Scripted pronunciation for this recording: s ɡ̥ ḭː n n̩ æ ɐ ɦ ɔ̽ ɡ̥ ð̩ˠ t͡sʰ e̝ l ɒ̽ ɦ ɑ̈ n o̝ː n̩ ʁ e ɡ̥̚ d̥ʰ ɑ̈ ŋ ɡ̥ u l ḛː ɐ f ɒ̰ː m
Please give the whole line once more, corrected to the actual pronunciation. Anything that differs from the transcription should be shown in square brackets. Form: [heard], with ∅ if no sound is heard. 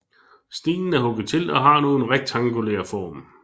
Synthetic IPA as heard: s [d̥] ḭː n n̩ æ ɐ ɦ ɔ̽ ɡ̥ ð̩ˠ t͡sʰ e̝ l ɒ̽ ɦ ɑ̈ n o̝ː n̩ ʁ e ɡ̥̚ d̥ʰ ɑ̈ ŋ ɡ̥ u l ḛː ɐ f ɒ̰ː m